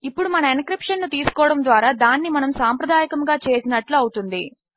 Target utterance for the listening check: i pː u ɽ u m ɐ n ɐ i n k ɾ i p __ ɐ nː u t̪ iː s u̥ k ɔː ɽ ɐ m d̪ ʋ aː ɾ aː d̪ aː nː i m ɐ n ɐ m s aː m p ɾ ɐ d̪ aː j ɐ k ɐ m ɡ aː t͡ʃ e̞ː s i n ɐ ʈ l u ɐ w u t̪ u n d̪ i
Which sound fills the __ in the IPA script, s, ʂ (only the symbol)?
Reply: ʂ